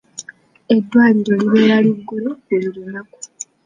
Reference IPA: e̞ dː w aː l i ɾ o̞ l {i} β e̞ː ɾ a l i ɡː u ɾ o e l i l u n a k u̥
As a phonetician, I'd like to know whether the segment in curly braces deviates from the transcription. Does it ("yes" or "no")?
no